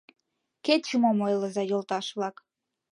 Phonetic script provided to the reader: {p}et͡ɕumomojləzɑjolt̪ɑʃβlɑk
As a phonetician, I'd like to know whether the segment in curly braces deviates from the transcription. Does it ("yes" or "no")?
yes